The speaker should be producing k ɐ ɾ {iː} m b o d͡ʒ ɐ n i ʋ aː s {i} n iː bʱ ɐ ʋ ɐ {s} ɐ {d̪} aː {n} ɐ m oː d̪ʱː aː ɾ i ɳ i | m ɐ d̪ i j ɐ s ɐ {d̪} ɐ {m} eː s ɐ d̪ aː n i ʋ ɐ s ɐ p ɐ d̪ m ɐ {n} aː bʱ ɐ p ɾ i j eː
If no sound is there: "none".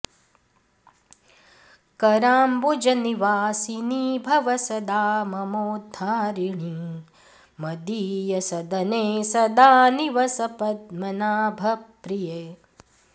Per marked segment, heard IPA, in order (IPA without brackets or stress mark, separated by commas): aː, i, s, d̪, m, d̪, n, n